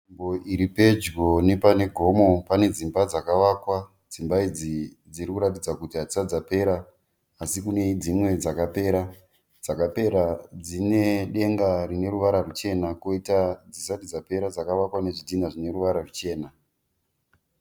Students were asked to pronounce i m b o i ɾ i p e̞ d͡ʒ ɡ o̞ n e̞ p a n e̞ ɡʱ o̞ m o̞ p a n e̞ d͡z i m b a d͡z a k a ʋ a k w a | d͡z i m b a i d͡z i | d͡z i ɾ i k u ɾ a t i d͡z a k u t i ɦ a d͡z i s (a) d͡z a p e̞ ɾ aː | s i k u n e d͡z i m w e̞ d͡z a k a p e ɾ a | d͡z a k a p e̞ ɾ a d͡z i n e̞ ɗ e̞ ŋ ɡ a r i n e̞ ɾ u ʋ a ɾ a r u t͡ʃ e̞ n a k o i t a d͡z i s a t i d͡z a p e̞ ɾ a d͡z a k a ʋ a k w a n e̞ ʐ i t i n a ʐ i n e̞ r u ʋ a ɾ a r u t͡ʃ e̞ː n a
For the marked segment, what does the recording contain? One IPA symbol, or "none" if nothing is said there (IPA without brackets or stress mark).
a